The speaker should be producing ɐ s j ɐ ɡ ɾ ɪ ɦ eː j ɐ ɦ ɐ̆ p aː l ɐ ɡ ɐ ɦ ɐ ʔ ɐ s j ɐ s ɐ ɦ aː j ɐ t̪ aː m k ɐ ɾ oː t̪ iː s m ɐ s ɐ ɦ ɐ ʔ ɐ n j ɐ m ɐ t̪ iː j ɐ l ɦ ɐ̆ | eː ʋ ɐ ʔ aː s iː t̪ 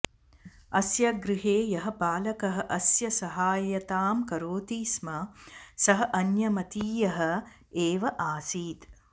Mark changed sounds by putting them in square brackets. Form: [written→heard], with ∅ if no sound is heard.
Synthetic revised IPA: ɐ s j ɐ ɡ ɾ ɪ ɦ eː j ɐ ɦ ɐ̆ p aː l ɐ [ɡ→k] ɐ ɦ ɐ ʔ ɐ s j ɐ s ɐ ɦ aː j ɐ t̪ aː m k ɐ ɾ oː t̪ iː s m ɐ s ɐ ɦ ɐ ʔ ɐ n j ɐ m ɐ t̪ iː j ɐ [l→∅] ɦ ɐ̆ | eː ʋ ɐ ʔ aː s iː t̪